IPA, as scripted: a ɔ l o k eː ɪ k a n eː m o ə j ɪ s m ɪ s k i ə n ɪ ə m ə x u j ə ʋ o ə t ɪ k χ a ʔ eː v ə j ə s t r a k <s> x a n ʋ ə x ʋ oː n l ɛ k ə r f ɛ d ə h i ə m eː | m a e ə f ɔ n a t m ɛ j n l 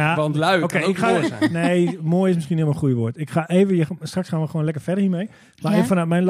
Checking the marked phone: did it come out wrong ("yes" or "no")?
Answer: no